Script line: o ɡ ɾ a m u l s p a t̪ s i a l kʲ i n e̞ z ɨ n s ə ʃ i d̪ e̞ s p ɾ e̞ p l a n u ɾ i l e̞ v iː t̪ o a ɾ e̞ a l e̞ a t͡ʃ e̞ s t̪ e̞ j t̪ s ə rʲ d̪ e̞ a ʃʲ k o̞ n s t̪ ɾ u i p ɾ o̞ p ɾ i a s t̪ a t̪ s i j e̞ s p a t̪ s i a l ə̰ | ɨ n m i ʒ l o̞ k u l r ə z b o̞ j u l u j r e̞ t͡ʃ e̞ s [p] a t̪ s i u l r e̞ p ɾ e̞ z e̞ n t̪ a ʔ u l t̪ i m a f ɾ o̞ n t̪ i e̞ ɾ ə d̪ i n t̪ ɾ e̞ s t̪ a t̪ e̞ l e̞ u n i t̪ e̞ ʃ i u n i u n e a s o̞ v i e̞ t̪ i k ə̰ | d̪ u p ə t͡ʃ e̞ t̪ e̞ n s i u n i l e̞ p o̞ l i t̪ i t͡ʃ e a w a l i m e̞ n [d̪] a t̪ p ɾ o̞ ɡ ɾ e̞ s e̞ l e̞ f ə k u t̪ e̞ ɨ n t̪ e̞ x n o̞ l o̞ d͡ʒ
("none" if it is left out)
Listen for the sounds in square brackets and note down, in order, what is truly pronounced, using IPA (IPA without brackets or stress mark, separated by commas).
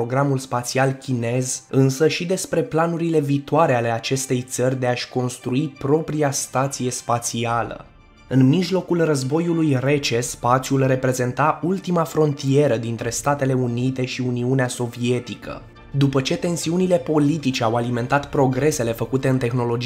p, t̪